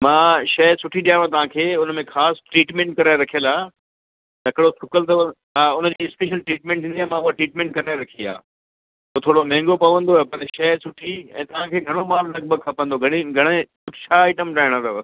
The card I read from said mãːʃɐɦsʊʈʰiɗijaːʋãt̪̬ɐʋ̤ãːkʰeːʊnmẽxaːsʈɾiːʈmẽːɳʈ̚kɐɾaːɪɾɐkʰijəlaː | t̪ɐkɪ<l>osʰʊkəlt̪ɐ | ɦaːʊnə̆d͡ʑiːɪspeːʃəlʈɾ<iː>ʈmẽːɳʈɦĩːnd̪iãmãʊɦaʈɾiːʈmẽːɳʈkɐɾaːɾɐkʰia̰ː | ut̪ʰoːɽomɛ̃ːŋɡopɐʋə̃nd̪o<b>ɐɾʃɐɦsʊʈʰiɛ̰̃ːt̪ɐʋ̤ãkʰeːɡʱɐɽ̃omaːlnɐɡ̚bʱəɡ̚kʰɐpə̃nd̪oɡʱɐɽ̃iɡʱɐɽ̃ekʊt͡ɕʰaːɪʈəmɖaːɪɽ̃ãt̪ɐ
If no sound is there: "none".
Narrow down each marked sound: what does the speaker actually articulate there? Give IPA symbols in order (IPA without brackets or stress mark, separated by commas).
ɽ, iː, p